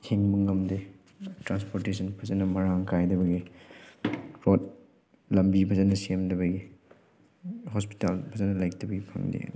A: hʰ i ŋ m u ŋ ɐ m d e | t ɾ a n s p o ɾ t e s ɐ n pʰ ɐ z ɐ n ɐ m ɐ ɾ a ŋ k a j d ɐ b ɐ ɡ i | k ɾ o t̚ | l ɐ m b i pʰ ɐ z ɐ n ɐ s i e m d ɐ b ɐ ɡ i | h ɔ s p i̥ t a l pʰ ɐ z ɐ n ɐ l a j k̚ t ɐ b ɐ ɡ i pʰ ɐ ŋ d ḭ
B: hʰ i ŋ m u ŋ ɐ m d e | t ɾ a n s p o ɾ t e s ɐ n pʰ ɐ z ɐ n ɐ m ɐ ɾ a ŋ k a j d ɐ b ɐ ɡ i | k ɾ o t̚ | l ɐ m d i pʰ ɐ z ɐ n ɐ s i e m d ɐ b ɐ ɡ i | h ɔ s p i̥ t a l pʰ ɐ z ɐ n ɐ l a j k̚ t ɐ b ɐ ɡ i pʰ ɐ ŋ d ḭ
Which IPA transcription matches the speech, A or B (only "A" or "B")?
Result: A